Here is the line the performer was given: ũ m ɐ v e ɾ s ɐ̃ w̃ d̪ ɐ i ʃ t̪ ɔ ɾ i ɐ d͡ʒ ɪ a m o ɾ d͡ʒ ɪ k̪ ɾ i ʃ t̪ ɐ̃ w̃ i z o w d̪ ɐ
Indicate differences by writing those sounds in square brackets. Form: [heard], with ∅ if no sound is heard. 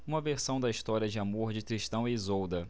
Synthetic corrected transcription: ũ m ɐ v e ɾ s ɐ̃ w̃ d̪ ɐ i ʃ t̪ ɔ ɾ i ɐ d͡ʒ ɪ a m o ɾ d͡ʒ ɪ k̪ ɾ i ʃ t̪ ɐ̃ w̃ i z o w d̪ ɐ